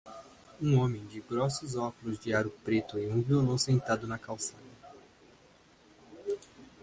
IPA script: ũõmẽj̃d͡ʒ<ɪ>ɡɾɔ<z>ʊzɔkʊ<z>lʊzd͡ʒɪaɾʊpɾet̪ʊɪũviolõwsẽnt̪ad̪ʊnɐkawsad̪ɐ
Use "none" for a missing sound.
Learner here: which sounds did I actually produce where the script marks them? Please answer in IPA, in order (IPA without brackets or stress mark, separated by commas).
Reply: ɪ, s, none